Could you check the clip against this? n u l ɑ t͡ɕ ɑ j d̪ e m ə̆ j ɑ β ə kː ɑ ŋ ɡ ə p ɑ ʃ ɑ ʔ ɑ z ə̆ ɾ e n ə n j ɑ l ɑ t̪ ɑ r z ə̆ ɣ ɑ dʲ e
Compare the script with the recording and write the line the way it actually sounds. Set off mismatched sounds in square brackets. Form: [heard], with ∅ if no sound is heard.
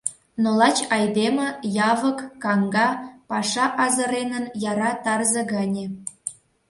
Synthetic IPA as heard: n [o] l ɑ t͡ɕ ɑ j d̪ e m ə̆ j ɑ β ə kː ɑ ŋ ɡ [ɑ] p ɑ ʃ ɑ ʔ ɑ z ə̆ ɾ e n ə n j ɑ [ɾ] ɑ t̪ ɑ r z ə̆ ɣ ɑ [nʲ] e